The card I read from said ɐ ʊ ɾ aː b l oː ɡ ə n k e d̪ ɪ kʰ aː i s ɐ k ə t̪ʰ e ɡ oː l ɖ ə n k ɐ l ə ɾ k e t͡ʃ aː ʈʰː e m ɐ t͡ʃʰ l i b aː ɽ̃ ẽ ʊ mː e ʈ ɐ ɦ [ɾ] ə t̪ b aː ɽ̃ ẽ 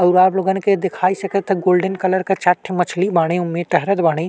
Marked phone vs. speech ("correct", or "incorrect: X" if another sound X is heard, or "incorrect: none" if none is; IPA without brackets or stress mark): correct